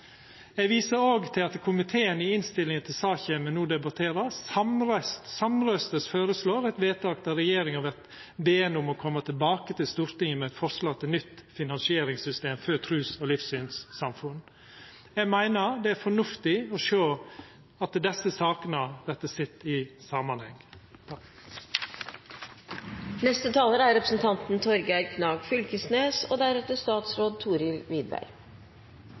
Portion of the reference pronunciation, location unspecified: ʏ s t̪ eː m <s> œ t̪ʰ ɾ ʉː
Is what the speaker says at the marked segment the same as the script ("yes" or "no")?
no